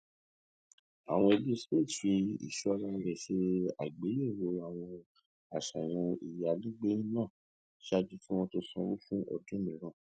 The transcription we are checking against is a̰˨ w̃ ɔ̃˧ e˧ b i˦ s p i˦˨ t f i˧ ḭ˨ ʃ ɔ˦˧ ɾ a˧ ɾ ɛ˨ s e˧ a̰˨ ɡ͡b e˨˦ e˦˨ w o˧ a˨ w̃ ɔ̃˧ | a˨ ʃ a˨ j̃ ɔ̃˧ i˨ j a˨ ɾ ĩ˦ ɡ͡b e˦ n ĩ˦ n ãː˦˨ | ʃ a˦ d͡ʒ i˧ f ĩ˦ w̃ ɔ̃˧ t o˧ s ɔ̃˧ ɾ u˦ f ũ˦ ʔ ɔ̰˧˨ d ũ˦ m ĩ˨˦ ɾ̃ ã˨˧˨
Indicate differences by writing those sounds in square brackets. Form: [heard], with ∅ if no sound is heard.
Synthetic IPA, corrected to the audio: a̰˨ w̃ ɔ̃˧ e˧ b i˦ s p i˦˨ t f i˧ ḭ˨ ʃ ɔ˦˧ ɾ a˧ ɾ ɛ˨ [ʃ] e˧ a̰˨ ɡ͡b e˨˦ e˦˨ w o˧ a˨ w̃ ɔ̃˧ | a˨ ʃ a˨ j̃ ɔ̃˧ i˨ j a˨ [l] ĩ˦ ɡ͡b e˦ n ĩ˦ n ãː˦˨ | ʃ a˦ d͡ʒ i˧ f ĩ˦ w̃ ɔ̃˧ t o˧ s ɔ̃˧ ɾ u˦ f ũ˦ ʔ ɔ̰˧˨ d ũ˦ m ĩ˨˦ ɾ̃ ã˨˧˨